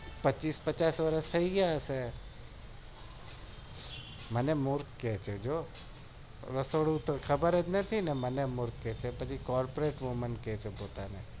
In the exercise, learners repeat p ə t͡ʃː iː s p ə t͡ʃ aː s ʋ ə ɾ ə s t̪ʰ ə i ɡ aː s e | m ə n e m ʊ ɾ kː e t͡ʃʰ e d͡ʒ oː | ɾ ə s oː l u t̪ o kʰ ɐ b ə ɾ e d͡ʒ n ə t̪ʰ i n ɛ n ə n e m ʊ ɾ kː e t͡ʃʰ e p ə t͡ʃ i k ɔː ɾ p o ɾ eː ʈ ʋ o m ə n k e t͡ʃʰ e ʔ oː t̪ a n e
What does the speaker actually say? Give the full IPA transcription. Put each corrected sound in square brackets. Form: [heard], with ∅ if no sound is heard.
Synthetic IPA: p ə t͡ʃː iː s p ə t͡ʃ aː s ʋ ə ɾ ə s t̪ʰ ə i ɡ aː s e | m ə n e m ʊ ɾ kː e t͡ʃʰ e d͡ʒ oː | ɾ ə s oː [ɽ] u t̪ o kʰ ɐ b ə ɾ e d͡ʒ n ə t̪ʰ i n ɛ [m] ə n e m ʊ ɾ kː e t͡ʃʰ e p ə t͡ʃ i k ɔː ɾ p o ɾ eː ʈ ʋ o m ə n k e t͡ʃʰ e [p] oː t̪ a n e

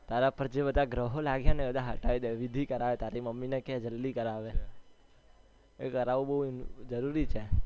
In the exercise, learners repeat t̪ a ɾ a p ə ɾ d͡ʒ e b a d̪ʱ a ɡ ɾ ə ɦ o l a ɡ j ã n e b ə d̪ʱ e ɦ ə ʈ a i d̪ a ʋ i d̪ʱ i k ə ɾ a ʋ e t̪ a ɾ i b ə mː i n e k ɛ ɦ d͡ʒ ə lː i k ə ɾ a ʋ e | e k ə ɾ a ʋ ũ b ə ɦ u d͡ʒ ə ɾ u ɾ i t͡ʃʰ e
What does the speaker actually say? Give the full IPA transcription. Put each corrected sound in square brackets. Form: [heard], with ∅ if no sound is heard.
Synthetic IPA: t̪ a ɾ a p ə ɾ d͡ʒ e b [ə] d̪ʱ a ɡ ɾ ə ɦ o l a ɡ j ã n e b ə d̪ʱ [a] ɦ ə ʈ a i d̪ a ʋ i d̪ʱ i k ə ɾ a ʋ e t̪ a ɾ i [m] ə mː i n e k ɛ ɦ d͡ʒ ə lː i k ə ɾ a ʋ e | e k ə ɾ a ʋ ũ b ə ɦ u d͡ʒ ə ɾ u ɾ i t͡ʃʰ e

